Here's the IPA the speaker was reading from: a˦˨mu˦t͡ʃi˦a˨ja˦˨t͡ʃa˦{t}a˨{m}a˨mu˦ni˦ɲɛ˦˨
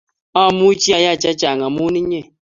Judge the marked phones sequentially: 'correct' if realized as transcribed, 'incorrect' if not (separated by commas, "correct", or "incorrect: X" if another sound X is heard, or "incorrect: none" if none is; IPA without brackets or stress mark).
incorrect: t͡ʃ, incorrect: ŋ